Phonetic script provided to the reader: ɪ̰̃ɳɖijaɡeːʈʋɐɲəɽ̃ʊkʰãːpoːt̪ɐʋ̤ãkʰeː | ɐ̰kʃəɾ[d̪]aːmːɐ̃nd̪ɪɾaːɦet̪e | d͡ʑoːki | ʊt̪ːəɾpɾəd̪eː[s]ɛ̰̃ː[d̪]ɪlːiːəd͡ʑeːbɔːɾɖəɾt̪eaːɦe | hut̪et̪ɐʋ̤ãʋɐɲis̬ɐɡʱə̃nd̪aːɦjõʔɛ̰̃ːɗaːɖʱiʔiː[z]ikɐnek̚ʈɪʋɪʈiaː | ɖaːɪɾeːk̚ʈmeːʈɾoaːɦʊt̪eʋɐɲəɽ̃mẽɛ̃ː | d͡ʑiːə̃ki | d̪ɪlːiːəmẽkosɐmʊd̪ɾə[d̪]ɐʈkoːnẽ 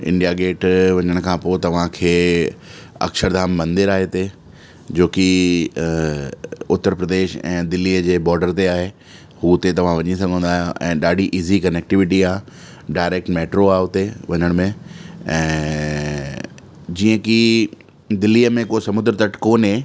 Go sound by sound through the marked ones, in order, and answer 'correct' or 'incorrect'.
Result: correct, incorrect: ʃ, correct, correct, incorrect: t̪

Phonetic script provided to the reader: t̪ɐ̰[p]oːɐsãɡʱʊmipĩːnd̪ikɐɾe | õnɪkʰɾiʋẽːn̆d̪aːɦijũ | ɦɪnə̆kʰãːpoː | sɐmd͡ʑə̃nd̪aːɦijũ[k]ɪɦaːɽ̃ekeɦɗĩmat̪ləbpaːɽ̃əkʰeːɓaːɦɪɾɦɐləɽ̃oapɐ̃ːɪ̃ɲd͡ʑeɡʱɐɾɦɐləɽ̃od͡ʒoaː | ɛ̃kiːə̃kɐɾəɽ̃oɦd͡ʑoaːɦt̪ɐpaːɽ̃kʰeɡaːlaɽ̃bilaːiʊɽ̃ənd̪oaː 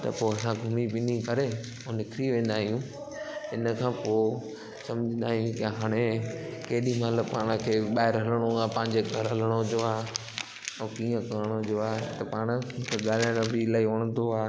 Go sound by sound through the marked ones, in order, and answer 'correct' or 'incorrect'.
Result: correct, correct

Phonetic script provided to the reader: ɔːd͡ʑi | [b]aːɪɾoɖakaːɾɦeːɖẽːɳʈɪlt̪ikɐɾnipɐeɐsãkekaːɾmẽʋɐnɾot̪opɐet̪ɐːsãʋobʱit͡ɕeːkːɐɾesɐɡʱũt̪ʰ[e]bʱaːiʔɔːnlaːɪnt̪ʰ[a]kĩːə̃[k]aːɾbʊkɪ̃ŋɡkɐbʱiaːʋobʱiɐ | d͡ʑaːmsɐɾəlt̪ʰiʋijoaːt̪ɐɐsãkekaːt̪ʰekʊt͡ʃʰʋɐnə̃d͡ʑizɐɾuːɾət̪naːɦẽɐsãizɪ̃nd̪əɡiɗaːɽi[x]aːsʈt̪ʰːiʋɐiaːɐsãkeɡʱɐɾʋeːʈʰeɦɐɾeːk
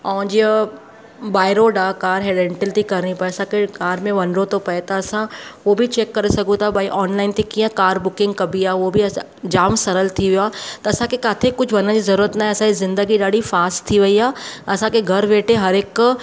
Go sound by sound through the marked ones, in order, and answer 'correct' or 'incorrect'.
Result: correct, incorrect: a, incorrect: e, correct, incorrect: f

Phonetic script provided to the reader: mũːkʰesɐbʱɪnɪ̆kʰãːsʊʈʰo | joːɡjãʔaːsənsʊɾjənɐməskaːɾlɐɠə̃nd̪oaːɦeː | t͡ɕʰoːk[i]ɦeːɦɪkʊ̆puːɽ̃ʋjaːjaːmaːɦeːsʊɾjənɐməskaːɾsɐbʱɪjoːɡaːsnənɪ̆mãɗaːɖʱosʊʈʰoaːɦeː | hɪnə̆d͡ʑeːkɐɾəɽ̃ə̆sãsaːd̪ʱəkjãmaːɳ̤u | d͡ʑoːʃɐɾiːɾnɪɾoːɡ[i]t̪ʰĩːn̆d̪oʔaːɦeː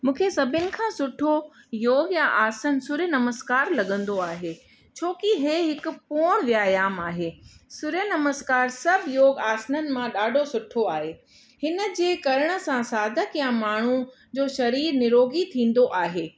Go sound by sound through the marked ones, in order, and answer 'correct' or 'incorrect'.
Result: correct, correct

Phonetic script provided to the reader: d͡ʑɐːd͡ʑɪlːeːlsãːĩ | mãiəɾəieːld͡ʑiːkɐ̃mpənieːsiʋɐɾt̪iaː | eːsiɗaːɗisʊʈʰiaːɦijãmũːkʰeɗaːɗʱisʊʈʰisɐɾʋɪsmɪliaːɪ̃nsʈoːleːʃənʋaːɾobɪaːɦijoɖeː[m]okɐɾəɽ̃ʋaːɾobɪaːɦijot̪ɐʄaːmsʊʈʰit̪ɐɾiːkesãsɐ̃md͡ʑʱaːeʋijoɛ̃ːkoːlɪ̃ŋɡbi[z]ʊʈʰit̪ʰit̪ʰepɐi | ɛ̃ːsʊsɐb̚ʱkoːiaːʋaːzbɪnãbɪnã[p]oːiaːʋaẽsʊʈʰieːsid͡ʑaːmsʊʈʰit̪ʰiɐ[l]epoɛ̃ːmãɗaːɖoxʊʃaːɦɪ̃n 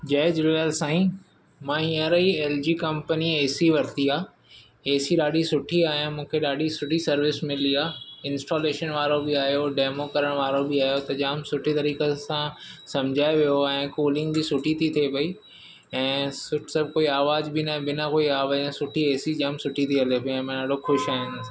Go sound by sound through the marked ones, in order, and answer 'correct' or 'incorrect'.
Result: correct, incorrect: s, incorrect: k, correct

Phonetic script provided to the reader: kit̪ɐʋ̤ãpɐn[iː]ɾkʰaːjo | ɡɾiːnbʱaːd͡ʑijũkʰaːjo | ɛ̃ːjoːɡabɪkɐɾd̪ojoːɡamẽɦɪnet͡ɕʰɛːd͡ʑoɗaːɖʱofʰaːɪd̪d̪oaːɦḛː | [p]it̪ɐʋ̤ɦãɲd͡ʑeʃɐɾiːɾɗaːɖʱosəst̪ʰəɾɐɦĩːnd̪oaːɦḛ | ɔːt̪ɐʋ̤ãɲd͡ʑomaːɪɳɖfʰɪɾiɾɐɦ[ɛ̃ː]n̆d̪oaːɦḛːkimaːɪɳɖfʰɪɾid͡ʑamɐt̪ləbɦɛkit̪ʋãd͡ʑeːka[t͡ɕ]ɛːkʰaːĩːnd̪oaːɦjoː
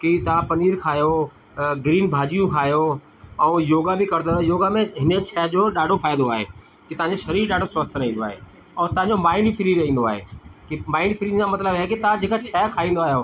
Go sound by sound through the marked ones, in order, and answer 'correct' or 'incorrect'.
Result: correct, incorrect: k, incorrect: ĩː, incorrect: t͡ɕʰ

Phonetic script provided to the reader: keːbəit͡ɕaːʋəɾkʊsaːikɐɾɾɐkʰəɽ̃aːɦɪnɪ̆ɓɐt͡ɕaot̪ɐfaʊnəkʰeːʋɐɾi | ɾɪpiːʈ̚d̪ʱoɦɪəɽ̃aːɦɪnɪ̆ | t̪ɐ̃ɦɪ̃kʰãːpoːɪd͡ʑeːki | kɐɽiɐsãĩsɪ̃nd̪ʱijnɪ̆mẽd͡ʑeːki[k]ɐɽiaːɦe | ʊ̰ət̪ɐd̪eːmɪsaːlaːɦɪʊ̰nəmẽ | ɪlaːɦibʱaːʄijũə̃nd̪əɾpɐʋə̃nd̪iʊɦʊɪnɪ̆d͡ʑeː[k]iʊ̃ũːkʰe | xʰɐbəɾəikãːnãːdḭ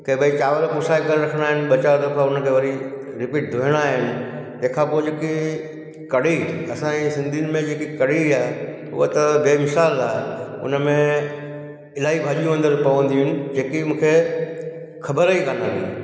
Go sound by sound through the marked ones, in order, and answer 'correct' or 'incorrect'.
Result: correct, correct

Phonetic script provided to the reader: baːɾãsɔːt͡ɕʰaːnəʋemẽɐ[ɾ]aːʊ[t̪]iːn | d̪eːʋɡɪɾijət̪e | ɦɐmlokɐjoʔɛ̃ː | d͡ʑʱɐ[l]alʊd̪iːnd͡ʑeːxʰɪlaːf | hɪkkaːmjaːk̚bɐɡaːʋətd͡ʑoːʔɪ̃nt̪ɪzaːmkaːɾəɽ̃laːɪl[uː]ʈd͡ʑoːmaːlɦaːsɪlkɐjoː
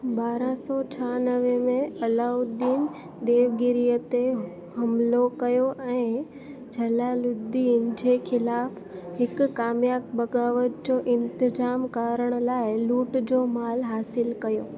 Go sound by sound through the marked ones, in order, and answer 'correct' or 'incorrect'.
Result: incorrect: l, incorrect: d̪, correct, correct

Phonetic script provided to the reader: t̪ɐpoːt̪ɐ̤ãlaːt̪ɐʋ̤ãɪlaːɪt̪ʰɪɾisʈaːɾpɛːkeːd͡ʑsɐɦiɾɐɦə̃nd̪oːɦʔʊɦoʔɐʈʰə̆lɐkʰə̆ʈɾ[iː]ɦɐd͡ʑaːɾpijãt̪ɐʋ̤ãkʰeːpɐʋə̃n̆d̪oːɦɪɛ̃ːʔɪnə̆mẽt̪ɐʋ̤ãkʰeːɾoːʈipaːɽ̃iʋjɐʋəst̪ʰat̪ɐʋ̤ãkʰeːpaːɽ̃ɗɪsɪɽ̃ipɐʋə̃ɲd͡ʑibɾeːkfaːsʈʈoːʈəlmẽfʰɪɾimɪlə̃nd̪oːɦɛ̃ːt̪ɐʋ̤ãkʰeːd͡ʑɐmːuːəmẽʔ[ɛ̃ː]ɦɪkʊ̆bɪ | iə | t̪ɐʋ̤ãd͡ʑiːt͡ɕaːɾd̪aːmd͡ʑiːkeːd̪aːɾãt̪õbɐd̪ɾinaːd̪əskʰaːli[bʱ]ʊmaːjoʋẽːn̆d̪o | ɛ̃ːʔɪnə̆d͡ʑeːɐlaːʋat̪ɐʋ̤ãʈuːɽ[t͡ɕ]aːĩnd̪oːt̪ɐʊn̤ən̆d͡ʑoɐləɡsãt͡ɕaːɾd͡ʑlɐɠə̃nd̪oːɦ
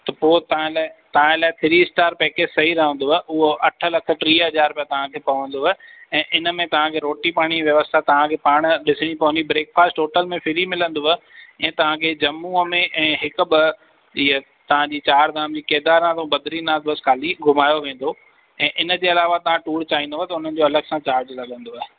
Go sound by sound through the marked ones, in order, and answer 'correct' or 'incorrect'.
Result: correct, correct, incorrect: ɡʱ, correct

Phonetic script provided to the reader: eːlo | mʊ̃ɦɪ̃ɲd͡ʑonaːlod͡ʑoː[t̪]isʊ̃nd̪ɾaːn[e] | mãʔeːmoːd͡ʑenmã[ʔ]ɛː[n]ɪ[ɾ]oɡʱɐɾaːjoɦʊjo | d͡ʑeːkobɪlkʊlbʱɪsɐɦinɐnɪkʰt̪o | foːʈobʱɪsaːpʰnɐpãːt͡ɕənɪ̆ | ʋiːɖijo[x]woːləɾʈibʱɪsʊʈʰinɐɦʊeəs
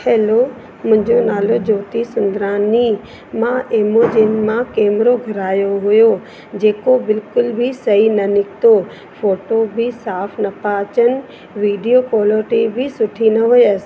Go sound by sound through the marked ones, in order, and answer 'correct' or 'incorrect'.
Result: correct, incorrect: i, incorrect: k, incorrect: m, correct, incorrect: k

